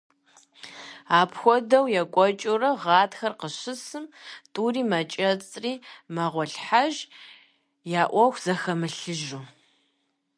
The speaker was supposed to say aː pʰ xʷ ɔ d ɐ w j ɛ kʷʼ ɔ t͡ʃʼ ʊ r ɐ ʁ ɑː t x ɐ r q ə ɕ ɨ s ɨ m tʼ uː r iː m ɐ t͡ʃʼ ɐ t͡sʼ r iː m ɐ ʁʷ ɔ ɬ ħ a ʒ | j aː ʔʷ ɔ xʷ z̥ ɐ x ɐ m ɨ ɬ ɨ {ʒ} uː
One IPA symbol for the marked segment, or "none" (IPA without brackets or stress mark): ʒ